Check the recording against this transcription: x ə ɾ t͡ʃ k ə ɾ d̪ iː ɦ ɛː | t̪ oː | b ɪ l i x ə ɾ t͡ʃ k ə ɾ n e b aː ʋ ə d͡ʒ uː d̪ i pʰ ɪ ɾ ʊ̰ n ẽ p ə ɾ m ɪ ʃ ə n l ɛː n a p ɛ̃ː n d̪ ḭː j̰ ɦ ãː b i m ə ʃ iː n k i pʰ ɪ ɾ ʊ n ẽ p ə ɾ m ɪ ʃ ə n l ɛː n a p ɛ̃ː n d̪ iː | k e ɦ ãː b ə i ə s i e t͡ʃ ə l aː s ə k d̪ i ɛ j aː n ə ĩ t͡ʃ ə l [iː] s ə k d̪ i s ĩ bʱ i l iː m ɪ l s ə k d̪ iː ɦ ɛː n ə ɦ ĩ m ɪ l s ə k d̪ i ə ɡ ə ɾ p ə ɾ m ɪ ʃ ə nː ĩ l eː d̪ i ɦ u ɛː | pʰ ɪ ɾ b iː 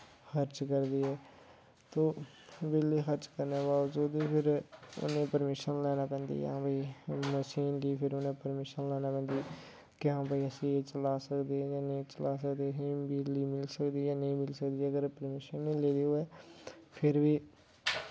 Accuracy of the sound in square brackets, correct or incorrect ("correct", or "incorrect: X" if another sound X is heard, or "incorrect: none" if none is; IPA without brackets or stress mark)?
incorrect: aː